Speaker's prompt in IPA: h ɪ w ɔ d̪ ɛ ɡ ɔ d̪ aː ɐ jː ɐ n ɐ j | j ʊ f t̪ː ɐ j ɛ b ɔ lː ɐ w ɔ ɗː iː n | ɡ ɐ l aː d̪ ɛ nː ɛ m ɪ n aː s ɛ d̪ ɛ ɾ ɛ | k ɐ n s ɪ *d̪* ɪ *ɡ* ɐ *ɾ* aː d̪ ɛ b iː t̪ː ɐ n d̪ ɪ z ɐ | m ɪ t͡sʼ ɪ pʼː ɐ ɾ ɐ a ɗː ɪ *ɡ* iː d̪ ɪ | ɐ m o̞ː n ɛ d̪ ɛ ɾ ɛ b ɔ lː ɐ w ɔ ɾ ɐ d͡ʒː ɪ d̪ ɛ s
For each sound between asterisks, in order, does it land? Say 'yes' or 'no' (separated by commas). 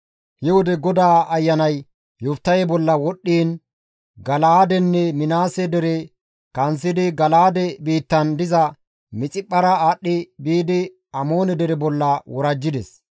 yes, yes, no, no